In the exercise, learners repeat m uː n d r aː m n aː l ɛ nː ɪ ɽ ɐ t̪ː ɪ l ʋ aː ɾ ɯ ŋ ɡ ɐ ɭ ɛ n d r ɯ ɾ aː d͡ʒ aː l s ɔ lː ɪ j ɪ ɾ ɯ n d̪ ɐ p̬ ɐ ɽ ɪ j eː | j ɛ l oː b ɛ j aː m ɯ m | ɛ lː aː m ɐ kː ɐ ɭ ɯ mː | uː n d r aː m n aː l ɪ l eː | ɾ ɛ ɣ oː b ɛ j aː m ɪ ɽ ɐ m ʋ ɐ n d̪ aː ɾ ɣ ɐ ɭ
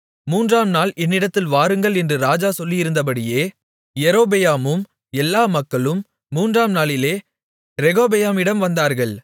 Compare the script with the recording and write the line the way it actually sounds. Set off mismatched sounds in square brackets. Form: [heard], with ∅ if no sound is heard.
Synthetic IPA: m uː n d r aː m n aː l ɛ nː ɪ ɽ ɐ t̪ː ɪ l ʋ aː ɾ ɯ ŋ ɡ ɐ ɭ ɛ n d r ɯ ɾ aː d͡ʒ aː [∅] s ɔ lː ɪ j ɪ ɾ ɯ n d̪ ɐ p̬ ɐ ɽ ɪ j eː | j ɛ [ɾ] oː b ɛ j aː m ɯ m | ɛ lː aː m ɐ kː ɐ ɭ ɯ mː | uː n d r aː m n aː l ɪ l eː | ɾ ɛ ɣ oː b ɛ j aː m ɪ ɽ ɐ m ʋ ɐ n d̪ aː ɾ ɣ ɐ ɭ